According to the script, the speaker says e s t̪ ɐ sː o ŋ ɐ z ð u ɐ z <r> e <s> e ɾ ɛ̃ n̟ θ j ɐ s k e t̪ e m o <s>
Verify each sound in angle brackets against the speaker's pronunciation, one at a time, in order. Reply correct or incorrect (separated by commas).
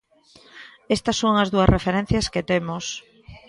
correct, incorrect, correct